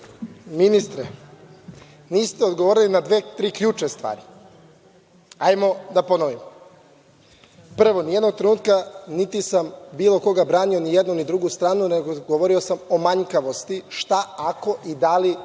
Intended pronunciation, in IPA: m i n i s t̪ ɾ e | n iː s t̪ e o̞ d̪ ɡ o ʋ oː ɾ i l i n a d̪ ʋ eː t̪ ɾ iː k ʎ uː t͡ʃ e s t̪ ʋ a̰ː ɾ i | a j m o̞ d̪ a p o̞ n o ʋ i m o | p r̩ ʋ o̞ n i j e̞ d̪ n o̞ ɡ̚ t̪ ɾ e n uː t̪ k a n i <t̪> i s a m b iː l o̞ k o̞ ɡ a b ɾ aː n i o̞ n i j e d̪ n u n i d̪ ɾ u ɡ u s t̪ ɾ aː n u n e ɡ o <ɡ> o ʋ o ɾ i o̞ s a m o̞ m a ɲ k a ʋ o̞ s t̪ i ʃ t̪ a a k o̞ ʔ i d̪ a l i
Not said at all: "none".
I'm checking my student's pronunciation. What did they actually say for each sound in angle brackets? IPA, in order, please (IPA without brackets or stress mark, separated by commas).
t̪, ɡ